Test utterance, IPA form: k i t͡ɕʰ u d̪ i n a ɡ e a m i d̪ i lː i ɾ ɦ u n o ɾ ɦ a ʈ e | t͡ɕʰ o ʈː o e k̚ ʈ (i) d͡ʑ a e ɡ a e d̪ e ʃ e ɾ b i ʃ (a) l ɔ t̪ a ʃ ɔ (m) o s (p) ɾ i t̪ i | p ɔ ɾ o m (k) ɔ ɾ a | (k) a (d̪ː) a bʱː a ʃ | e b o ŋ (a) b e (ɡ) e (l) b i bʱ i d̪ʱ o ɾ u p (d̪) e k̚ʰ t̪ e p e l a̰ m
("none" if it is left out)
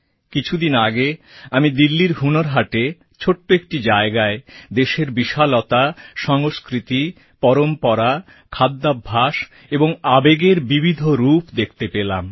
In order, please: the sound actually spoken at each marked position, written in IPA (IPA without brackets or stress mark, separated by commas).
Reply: i, a, ŋ, k, p, kʰ, d̪ː, a, ɡ, ɾ, d̪